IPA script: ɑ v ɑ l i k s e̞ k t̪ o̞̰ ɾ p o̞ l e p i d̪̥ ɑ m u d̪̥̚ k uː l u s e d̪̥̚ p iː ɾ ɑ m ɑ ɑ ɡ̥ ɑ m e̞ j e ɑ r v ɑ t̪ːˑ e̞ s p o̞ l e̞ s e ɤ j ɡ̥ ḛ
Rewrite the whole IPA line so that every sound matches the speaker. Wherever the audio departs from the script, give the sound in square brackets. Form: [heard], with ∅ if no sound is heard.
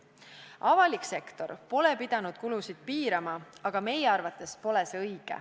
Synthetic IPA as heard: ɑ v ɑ l i k s e̞ k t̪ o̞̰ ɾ p o̞ l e p i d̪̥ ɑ [n] u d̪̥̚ k [u] l u s [i] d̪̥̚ p iː ɾ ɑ m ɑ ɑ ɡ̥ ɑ m e̞ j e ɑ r v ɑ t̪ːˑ e̞ s p o̞ l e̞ s e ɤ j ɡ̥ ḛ